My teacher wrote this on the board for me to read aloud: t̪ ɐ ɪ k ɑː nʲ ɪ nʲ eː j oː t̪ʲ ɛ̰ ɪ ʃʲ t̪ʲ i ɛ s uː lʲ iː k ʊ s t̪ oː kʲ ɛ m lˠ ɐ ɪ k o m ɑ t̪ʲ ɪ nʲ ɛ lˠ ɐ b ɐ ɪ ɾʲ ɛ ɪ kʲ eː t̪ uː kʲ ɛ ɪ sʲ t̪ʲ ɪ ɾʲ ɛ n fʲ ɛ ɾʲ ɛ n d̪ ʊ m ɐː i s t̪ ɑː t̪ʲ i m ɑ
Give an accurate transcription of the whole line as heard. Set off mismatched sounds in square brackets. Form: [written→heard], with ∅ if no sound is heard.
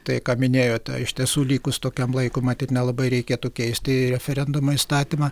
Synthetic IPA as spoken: t̪ ɐ ɪ k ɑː [nʲ→mʲ] ɪ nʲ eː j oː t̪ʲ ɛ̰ ɪ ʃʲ t̪ʲ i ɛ s uː lʲ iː k ʊ s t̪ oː kʲ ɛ m lˠ ɐ ɪ k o m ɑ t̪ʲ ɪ nʲ ɛ lˠ ɐ b ɐ ɪ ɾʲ ɛ ɪ kʲ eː t̪ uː kʲ ɛ ɪ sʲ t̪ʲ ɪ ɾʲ ɛ [n→∅] fʲ ɛ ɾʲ ɛ n d̪ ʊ m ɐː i s t̪ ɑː t̪ʲ i m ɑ